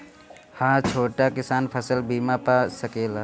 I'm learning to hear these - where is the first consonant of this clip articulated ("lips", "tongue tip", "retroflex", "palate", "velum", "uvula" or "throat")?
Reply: throat